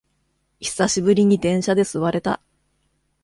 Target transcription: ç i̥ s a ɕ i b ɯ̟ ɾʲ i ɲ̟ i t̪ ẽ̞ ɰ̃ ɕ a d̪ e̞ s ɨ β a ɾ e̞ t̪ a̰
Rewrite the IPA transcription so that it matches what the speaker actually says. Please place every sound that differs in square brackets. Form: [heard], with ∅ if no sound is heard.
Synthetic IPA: ç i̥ s a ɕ i b ɯ̟ ɾʲ i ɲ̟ i [d̪] ẽ̞ ɰ̃ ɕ a d̪ e̞ s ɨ β a ɾ e̞ t̪ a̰